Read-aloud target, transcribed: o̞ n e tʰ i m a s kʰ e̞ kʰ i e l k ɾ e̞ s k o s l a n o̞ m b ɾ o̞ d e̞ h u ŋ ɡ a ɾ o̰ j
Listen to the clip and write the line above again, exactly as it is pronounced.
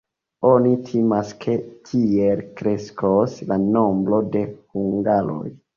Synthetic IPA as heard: o̞ n i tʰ i m a s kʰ e̞ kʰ i e l k ɾ e̞ s k o s l a n o̞ m b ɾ o̞ d e̞ h u ŋ ɡ a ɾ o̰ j

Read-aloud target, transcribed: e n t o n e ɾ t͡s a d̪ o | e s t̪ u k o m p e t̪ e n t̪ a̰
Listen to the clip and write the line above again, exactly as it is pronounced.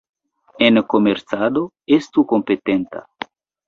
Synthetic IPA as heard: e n k o m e ɾ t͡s a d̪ o | e s t̪ u k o m p e t̪ e n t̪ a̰

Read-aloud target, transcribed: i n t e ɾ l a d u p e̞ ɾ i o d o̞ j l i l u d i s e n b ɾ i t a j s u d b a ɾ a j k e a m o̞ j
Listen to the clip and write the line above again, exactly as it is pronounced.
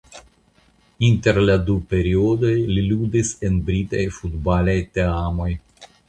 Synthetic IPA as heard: i n t e ɾ l a d u p e̞ ɾ i o d o̞ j l i l u d i s e n b ɾ i t a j f u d b a l a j t e a m o̞ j

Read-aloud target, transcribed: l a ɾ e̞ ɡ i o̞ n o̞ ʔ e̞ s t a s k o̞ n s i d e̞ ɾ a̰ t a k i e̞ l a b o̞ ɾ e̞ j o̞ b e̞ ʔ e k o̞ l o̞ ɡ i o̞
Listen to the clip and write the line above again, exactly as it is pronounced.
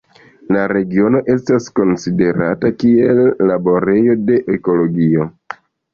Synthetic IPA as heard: l a ɾ e̞ ɡ i o̞ n o̞ ʔ e̞ s t a s k o̞ n s i d e̞ ɾ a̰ t a k i e̞ lː a b o̞ ɾ e̞ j o̞ d e̞ ʔ e k o̞ l o̞ ɡ i o̞

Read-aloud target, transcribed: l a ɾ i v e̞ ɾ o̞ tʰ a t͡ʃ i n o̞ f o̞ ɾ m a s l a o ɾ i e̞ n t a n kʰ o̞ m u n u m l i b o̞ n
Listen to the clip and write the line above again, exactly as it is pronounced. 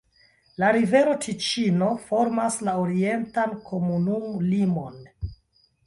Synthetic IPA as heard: l a ɾ i v e̞ ɾ o̞ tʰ i t͡ʃ i n o̞ f o̞ ɾ m a s l a o ɾ i e̞ n t a n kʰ o̞ m u n u m l i m o̞ n

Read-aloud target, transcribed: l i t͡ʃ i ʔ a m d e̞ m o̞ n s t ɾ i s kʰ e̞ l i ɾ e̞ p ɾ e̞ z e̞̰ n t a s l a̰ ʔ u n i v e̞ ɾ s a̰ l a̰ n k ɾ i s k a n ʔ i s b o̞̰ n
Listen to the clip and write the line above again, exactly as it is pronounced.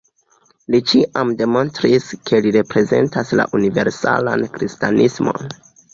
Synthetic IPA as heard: l i t͡ʃ i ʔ a m d e̞ m o̞ n s t ɾ i s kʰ e̞ l i ɾ e̞ p ɾ e̞ z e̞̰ n t a s l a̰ ʔ u n i v e̞ ɾ s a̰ l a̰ n k ɾ i s t a n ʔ i s m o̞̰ n

